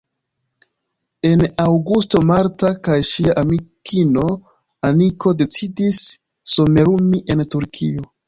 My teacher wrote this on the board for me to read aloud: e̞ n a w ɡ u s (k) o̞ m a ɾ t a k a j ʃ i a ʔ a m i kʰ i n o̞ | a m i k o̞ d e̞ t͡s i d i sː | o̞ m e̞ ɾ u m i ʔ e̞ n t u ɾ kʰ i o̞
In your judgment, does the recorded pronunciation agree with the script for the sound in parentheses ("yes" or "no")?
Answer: no